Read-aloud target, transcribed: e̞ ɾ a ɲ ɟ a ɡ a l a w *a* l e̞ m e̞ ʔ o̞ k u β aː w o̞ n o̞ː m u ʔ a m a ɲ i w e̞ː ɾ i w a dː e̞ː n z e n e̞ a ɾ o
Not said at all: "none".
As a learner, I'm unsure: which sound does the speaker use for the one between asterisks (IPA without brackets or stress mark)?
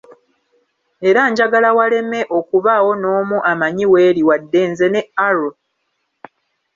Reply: a